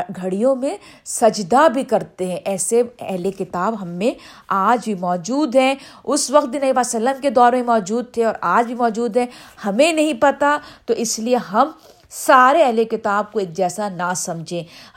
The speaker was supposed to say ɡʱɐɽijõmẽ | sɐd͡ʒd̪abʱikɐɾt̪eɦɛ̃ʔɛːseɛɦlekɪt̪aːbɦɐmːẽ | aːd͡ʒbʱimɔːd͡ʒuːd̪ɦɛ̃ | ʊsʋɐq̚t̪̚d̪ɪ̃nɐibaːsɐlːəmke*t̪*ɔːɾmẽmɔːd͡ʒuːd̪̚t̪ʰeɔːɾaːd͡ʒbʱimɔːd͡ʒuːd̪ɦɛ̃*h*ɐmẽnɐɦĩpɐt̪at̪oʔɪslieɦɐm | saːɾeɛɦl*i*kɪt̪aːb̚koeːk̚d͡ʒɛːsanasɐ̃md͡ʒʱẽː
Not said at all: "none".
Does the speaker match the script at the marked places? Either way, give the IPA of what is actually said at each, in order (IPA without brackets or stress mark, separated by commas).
d̪, h, e